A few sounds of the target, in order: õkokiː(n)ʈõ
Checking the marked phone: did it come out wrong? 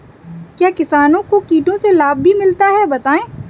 yes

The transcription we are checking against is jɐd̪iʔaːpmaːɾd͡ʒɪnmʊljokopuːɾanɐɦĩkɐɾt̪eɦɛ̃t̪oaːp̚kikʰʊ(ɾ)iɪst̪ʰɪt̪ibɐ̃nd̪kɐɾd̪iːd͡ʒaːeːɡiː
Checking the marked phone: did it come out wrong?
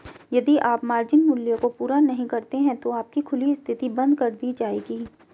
yes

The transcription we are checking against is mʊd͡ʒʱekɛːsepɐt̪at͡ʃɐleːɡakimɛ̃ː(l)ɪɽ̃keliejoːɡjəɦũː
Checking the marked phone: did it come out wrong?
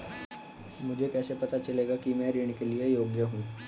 yes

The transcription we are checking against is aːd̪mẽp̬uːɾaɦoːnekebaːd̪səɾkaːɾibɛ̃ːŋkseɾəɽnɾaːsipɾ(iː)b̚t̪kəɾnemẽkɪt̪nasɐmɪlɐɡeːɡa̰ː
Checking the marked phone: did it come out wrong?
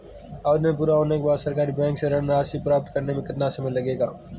yes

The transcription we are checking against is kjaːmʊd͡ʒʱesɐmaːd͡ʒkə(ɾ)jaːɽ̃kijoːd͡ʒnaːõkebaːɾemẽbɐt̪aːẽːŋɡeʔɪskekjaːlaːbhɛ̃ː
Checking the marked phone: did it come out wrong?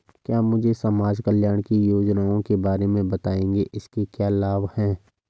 yes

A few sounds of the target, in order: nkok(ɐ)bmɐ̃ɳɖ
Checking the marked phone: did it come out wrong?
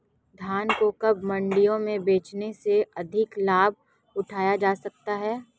no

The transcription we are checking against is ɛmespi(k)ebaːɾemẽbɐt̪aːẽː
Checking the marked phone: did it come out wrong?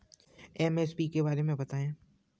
no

